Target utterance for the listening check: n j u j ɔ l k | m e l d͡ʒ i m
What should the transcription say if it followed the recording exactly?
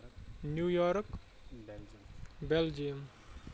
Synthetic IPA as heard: n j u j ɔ ɾ k | b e l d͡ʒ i m